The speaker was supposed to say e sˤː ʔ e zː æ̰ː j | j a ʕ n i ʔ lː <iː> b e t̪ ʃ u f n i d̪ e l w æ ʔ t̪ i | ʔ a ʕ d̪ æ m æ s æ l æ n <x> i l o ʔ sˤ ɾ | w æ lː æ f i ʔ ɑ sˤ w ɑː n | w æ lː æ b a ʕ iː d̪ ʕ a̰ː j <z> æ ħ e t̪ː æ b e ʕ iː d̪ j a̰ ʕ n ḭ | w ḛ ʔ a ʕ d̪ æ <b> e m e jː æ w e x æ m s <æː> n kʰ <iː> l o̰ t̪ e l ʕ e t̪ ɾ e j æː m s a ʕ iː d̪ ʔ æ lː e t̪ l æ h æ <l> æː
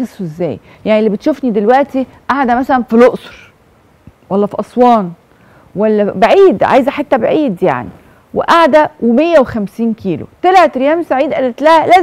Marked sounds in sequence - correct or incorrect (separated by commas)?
incorrect, incorrect, correct, incorrect, incorrect, correct, correct